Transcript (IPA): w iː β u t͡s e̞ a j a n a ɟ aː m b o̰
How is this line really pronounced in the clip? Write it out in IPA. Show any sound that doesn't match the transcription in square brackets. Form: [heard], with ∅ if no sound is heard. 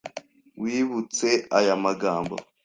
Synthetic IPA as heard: w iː β u t͡s e̞ a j a [m] a [ɡ] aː m b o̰